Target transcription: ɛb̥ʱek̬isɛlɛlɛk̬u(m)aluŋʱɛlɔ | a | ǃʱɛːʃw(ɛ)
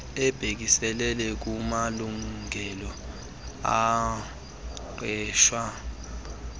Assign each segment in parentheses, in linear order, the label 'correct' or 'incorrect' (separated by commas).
correct, incorrect